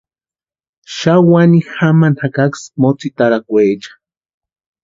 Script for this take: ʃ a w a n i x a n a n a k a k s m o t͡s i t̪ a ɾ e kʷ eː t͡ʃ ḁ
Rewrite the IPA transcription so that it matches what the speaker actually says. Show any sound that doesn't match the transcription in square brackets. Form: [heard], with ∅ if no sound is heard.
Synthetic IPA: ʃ a w a n i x a [m] a n a k a k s m o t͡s i t̪ a ɾ [a] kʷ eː t͡ʃ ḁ